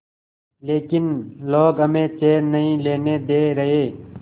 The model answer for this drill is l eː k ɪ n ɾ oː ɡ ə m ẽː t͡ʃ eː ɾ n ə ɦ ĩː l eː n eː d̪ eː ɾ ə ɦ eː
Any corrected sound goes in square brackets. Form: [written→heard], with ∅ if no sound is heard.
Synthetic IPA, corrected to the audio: l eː k ɪ n [ɾ→l] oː ɡ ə m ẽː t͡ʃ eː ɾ n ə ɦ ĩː l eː n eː d̪ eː ɾ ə ɦ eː